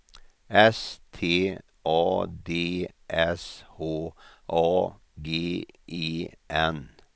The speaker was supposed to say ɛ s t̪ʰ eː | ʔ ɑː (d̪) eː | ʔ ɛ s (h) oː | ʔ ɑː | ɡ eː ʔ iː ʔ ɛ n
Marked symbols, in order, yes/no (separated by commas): yes, yes